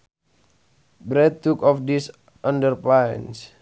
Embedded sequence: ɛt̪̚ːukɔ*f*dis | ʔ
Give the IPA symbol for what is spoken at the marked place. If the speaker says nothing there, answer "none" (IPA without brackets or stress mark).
f